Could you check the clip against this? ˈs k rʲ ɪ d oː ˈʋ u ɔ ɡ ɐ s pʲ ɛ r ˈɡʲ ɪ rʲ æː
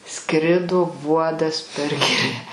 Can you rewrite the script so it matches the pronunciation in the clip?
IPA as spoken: ˈs k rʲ ɪ d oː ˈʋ u ɔ d ɐ s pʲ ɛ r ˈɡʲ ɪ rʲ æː